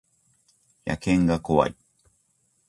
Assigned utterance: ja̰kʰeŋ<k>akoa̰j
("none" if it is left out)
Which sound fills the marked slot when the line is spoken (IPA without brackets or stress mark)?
ɡ